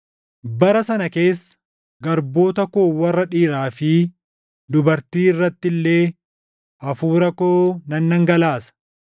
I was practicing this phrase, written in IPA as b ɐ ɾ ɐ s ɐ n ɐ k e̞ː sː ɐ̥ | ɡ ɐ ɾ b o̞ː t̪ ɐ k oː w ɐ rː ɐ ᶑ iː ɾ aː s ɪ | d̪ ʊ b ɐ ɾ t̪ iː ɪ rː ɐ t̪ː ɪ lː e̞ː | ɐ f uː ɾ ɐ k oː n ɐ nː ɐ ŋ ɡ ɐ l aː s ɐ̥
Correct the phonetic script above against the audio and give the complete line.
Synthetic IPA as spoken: b ɐ ɾ ɐ s ɐ n ɐ k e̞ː sː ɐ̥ | ɡ ɐ ɾ b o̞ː t̪ ɐ k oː w ɐ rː ɐ ᶑ iː ɾ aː f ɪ | d̪ ʊ b ɐ ɾ t̪ iː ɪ rː ɐ t̪ː ɪ lː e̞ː | ɐ f uː ɾ ɐ k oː n ɐ nː ɐ ŋ ɡ ɐ l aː s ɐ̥